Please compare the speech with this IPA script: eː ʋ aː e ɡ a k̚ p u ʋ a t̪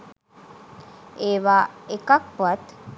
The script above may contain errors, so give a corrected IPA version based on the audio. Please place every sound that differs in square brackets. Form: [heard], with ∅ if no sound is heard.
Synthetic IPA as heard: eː ʋ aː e [k] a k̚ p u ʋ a t̪

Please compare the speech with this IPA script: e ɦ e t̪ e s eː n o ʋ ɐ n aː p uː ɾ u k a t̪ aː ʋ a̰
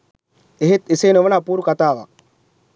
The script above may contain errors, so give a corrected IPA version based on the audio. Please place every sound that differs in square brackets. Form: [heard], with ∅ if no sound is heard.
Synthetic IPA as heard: e ɦ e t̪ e s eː n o ʋ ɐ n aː p uː ɾ u k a t̪ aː ʋ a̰

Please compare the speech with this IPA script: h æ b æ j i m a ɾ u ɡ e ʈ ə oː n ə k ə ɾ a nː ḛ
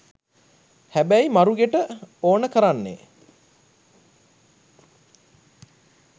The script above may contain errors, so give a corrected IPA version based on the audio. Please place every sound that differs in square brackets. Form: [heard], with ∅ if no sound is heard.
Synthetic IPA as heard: h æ b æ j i m a ɾ u ɡ e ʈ ə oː n ə k ə ɾ a nː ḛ

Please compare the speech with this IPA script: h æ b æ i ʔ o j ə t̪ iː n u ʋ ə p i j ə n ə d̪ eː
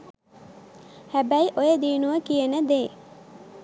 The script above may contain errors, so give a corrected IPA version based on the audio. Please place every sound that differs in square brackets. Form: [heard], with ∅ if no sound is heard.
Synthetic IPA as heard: h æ b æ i ʔ o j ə [d̪] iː n u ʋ ə [k] i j ə n ə d̪ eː

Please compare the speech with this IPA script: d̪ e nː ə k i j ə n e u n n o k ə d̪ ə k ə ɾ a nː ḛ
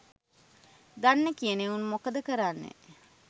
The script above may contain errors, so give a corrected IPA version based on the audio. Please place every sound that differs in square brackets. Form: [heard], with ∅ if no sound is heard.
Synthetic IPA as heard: d̪ [a] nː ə k i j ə n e u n [m] o k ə d̪ ə k ə ɾ a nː ḛ

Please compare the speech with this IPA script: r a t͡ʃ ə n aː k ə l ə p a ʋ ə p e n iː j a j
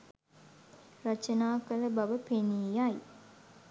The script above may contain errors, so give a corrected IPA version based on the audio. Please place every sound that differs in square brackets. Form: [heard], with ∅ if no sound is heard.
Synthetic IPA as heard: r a t͡ʃ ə n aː k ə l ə [b] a ʋ ə p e n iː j a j

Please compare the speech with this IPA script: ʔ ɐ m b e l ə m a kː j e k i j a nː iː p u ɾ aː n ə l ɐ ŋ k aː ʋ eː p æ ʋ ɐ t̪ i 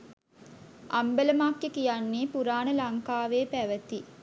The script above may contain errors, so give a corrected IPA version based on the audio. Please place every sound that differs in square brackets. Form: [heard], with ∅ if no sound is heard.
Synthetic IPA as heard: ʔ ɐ m b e l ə m a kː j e k i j a nː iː p u ɾ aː n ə l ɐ ŋ k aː ʋ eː p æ ʋ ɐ t̪ i

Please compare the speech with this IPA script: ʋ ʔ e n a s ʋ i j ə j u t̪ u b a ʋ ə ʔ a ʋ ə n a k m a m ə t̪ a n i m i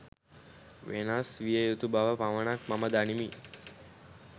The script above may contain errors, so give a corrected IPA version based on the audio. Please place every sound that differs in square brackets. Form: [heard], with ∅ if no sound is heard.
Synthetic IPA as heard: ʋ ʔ e n a s ʋ i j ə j u t̪ u b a ʋ ə [p] a ʋ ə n a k m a m ə [d̪] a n i m i

